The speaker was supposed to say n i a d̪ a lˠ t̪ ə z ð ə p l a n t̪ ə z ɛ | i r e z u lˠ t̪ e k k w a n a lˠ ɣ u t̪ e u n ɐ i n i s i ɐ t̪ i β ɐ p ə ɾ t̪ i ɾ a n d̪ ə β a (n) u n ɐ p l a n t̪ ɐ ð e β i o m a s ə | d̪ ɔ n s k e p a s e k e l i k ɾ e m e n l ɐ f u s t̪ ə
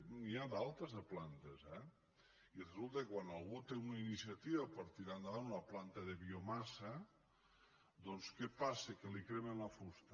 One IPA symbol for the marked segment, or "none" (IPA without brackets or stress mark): n